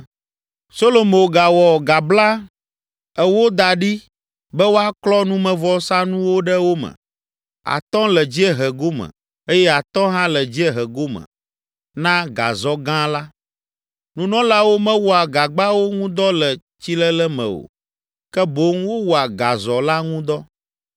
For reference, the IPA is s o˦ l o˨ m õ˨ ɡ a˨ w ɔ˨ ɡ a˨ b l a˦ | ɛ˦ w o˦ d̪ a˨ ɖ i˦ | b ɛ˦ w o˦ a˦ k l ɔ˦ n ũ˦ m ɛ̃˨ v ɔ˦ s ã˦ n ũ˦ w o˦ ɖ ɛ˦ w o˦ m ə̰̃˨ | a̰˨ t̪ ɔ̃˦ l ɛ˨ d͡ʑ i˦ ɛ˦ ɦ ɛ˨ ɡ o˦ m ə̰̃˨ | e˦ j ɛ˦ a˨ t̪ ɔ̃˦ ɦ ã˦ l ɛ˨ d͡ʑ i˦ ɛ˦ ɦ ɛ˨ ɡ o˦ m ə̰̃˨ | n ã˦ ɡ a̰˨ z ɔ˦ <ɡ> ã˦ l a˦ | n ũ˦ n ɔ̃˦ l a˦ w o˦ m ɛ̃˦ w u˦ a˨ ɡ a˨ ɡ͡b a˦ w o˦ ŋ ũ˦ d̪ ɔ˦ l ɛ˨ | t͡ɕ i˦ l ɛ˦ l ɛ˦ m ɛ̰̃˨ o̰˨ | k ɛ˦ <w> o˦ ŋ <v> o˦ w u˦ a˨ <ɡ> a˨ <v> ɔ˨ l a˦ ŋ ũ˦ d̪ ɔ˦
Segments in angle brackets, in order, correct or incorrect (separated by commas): correct, incorrect, incorrect, correct, incorrect